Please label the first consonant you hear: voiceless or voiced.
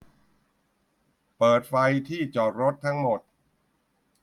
voiceless